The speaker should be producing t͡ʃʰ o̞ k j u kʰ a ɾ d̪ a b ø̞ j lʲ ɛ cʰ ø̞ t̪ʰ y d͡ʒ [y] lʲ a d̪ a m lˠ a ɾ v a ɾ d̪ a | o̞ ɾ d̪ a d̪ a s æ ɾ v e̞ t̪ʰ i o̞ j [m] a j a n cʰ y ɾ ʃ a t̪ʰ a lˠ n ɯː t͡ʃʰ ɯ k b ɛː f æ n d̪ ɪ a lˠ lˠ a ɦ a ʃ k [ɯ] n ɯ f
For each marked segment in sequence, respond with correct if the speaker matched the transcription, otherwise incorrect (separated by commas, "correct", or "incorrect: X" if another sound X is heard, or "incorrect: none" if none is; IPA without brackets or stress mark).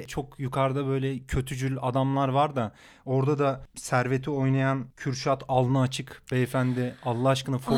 correct, incorrect: n, correct